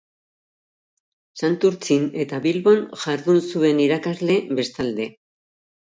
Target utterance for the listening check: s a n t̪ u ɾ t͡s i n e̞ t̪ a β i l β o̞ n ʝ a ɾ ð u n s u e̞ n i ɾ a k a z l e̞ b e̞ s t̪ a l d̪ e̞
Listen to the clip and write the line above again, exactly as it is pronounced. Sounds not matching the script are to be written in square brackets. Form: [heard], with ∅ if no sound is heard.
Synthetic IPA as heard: s a n t̪ u ɾ t͡s i n e̞ t̪ a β i l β o̞ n ʝ a ɾ ð u n s u e̞ n i ɾ a k a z l e̞ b e̞ s t̪ a l d̪ e̞

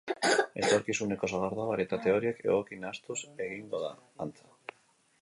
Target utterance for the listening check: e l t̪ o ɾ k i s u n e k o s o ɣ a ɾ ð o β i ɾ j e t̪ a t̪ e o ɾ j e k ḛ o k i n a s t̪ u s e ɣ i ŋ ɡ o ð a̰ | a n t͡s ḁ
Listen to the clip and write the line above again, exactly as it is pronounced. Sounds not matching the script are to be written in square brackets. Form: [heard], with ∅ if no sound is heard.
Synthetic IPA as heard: e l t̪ o ɾ k i s u n e k o s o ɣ a ɾ ð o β [a] ɾ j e t̪ a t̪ e o ɾ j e k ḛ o k i n a s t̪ u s e ɣ i ŋ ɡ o ð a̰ | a n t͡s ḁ

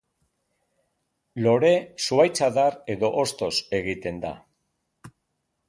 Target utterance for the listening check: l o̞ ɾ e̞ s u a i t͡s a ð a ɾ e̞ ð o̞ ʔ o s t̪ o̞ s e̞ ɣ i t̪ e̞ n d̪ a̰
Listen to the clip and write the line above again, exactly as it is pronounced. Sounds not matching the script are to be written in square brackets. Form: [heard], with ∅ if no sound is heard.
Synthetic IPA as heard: l o̞ ɾ e̞ s u a [j] t͡s a ð a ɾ e̞ ð o̞ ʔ o s t̪ o̞ s e̞ ɣ i t̪ e̞ n d̪ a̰

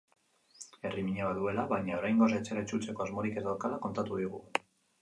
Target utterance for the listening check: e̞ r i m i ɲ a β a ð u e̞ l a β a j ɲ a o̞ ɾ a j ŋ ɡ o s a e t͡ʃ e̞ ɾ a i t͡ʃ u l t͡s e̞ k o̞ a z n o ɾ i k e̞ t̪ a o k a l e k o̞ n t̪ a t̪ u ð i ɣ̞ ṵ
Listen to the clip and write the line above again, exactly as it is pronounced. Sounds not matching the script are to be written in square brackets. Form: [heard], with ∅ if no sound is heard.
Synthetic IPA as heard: e̞ r i m i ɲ a β a ð u e̞ l a β a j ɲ a o̞ ɾ a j ŋ ɡ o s a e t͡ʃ e̞ ɾ a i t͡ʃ u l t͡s e̞ k o̞ a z [m] o ɾ i k e̞ t̪ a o k a l [a] k o̞ n t̪ a t̪ u ð i ɣ̞ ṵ

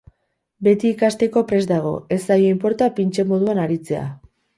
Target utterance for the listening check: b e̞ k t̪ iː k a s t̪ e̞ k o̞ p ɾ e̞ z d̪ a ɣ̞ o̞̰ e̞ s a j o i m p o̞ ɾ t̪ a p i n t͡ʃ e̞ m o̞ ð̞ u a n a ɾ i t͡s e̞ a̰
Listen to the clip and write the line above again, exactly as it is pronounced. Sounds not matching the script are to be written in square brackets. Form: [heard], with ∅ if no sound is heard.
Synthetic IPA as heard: b e̞ [∅] t̪ iː k a s t̪ e̞ k o̞ p ɾ e̞ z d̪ a ɣ̞ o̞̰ e̞ s a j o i m p o̞ ɾ t̪ a p i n t͡ʃ e̞ m o̞ ð̞ u a n a ɾ i t͡s e̞ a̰

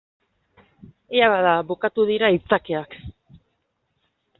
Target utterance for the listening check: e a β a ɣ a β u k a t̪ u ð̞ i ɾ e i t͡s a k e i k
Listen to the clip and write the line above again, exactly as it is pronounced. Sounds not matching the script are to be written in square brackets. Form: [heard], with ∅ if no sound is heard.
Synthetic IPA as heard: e a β a [ð] a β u k a t̪ u ð̞ i ɾ [a] i t͡s a k e [a] k

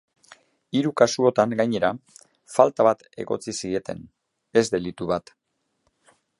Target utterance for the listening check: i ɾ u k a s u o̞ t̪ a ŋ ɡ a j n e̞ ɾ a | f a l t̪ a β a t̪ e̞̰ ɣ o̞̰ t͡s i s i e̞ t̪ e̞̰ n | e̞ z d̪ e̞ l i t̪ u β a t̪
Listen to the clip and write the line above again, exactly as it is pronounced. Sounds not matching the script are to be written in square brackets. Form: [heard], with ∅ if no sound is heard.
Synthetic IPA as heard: i ɾ u k a s u o̞ t̪ a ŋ ɡ a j [ɲ] e̞ ɾ a | f a l t̪ a β a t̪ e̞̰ ɣ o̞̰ t͡s i s i e̞ t̪ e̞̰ n | e̞ z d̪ e̞ l i t̪ u β a t̪

